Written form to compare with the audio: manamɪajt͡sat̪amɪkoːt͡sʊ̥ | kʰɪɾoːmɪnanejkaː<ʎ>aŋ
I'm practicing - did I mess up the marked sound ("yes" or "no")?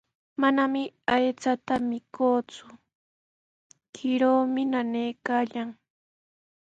no